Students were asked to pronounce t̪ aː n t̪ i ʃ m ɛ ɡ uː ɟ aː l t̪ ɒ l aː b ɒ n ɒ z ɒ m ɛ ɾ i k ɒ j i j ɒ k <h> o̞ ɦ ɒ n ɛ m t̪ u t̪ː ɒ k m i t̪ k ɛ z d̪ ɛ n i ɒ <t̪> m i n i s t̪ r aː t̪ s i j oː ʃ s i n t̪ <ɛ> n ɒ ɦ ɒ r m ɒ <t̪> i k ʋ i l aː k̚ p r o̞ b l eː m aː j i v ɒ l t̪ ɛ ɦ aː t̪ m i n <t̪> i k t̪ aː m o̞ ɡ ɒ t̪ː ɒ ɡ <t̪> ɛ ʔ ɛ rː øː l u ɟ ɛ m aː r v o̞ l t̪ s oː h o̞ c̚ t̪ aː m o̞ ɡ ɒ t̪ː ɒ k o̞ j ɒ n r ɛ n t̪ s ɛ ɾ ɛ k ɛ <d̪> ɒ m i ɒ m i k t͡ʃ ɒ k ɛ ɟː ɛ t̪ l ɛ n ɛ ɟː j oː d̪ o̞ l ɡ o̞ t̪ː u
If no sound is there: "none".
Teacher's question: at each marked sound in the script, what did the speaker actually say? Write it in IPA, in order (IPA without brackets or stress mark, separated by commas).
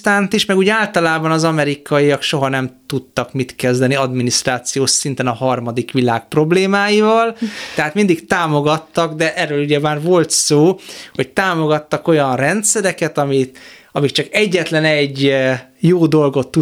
ʃ, d̪, ɛ, d̪, d̪, d̪, t̪